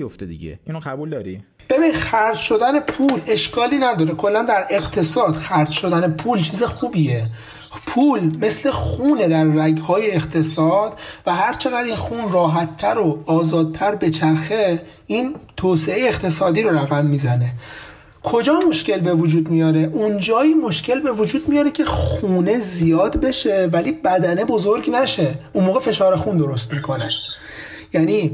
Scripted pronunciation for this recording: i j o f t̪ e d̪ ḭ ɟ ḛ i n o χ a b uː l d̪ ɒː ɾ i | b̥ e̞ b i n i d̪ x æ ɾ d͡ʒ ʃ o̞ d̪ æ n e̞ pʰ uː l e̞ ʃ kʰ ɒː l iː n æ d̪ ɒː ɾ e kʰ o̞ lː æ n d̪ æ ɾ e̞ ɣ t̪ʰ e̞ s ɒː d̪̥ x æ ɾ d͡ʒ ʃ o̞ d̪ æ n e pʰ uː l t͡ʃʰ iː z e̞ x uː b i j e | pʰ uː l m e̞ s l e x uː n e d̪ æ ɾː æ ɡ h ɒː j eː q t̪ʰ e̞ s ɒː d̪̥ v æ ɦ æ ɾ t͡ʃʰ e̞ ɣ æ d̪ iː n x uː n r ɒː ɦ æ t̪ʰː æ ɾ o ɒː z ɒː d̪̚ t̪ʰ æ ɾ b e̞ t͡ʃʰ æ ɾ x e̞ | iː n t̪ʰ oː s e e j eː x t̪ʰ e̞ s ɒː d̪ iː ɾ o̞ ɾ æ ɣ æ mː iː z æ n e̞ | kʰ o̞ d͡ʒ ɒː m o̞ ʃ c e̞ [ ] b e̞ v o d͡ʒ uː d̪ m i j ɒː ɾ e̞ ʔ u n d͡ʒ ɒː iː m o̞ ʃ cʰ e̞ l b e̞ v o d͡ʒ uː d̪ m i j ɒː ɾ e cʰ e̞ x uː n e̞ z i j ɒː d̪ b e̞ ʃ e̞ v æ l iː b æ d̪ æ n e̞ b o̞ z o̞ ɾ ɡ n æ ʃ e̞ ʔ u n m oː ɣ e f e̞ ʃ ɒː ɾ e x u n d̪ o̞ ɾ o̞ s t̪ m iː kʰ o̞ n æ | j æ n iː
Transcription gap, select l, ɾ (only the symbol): l